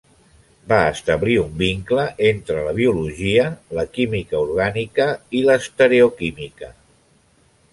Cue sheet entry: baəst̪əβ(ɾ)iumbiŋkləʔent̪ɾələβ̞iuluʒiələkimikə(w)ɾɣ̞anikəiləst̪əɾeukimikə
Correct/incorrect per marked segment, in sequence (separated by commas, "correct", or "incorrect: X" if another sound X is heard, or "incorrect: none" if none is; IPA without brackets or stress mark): incorrect: l, incorrect: u